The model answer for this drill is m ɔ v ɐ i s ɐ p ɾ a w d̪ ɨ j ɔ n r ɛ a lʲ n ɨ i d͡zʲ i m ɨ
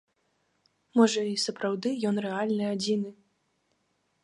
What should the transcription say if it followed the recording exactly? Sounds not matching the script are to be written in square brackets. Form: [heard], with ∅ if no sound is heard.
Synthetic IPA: m ɔ [ʐ] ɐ i s ɐ p ɾ a w d̪ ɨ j ɔ n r ɛ a lʲ n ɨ [a] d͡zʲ i [n] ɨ